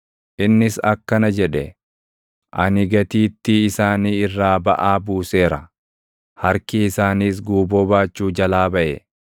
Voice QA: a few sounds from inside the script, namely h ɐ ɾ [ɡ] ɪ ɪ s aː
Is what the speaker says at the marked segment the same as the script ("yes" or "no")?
no